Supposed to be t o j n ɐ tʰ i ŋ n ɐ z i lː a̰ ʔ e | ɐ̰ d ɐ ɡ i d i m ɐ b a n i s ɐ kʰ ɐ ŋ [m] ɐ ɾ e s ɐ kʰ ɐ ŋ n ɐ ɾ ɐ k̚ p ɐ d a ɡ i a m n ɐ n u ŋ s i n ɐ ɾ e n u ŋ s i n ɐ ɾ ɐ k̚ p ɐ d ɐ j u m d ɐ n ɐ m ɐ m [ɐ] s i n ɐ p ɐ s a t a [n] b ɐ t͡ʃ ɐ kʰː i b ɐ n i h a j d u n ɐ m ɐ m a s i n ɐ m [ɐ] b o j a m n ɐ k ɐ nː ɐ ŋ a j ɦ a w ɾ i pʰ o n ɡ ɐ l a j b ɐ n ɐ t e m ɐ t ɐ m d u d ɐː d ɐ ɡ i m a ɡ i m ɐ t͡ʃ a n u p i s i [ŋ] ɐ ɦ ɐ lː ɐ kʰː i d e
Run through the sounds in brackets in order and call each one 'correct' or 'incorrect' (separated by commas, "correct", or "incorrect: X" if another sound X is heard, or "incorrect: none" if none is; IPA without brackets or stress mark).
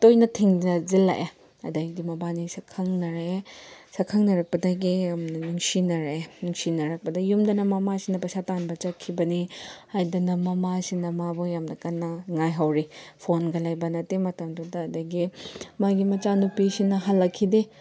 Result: incorrect: n, incorrect: a, correct, incorrect: a, incorrect: n